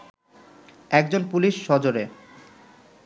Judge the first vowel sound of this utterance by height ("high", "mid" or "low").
mid